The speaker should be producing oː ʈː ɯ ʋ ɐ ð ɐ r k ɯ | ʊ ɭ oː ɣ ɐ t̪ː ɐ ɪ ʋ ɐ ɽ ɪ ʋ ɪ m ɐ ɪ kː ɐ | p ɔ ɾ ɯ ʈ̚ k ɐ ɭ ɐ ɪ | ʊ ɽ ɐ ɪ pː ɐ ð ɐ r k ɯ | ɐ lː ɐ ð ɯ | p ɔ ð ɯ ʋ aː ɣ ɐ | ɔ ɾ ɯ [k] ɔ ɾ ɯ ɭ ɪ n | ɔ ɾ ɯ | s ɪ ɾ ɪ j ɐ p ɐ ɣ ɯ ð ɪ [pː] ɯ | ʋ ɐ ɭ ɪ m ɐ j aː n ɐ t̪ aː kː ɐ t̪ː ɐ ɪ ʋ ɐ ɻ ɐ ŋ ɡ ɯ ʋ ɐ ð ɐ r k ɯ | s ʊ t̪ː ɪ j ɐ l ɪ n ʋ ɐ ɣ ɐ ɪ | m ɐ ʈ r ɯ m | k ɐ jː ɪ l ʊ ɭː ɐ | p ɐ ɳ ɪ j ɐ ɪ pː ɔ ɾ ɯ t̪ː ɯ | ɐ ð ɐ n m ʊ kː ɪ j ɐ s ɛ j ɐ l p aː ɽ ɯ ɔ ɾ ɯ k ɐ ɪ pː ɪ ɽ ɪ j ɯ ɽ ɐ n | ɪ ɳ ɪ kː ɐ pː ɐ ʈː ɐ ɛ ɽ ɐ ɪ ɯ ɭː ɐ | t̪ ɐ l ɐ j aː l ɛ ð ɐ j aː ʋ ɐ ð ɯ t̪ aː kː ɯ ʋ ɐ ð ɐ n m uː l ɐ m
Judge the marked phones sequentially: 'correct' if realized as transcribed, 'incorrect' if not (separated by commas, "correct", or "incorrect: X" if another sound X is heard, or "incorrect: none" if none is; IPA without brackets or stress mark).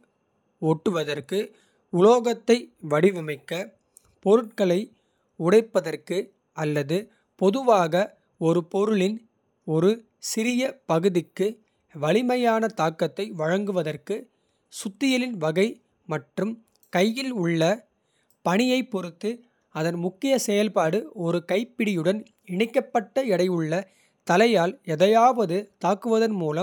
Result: incorrect: p, incorrect: kː